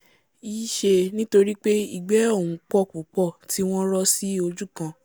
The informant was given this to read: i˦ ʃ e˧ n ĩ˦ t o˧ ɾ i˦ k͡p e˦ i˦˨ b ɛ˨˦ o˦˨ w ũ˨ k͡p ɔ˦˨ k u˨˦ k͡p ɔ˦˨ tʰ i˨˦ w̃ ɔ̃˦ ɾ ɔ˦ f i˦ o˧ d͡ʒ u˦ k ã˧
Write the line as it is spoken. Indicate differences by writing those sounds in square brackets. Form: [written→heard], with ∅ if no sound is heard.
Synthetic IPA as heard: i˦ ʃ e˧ n ĩ˦ t o˧ ɾ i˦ k͡p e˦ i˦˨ [b→ɡ͡b] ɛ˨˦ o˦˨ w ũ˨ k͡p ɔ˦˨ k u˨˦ k͡p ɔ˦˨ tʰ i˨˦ w̃ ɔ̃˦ ɾ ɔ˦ [f→s] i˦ o˧ d͡ʒ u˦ k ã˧